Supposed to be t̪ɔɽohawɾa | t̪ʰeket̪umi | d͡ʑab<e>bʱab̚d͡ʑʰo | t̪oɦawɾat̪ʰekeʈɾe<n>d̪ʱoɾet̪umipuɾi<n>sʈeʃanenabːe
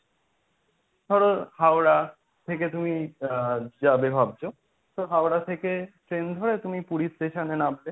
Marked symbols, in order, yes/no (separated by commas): yes, yes, no